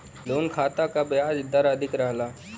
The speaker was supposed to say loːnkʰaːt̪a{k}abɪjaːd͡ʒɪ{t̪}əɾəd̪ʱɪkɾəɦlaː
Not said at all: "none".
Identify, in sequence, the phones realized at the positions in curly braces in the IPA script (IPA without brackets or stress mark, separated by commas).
k, d̪